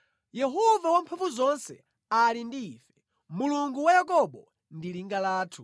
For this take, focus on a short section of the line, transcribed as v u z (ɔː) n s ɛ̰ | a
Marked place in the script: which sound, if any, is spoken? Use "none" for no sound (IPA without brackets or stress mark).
ɔ